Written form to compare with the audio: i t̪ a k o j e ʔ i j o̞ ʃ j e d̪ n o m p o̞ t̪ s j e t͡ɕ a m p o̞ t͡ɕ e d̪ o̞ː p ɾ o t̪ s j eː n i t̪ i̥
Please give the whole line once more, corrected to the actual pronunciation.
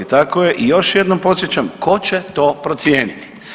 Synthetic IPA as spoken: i t̪ a k o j e ʔ i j o̞ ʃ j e d̪ n o m p o̞ t̪ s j e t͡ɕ a m k o̞ t͡ɕ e t̪ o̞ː p ɾ o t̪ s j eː n i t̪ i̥